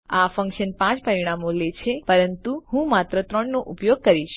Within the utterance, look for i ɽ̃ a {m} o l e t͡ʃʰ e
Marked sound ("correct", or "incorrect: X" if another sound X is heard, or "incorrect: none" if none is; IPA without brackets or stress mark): correct